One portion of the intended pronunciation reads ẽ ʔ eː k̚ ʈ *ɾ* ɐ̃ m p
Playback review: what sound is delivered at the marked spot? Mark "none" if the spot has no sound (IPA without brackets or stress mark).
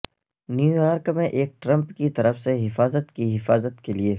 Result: ɾ